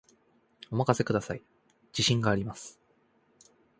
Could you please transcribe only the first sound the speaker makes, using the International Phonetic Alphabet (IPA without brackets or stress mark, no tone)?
o̞